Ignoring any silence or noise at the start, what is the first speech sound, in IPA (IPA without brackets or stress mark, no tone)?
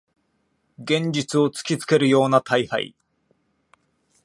ɡ